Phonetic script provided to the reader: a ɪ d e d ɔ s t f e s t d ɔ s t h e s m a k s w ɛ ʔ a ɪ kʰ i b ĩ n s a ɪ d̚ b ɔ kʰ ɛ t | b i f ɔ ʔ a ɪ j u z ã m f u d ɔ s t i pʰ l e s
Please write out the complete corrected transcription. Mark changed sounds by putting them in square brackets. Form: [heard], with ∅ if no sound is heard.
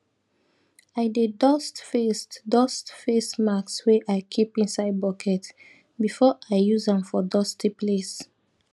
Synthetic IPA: a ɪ d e d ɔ s t f e s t d ɔ s t [f] e s m a k s w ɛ ʔ a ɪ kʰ i [p] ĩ n s a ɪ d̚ b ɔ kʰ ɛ t | b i f ɔ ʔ a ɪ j u z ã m f [ɔ] d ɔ s t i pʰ l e s